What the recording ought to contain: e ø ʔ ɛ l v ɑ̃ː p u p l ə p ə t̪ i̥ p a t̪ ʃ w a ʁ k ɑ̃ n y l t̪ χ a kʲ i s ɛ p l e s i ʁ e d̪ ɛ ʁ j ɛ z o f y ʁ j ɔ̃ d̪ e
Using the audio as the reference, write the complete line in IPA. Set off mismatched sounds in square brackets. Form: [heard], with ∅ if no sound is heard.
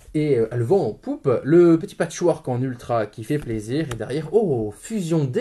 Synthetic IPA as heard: e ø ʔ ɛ l v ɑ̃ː p u p l ə p ə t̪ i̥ p a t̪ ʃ w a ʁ k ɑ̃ n y l t̪ χ a kʲ i [f] ɛ p l e [z] i ʁ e d̪ ɛ ʁ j ɛ [ʁ] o f y [z] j ɔ̃ d̪ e